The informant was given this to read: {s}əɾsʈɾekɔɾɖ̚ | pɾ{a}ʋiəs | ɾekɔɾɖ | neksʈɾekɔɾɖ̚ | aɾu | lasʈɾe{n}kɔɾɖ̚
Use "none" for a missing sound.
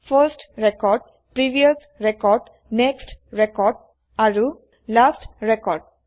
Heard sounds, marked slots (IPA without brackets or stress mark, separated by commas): f, i, none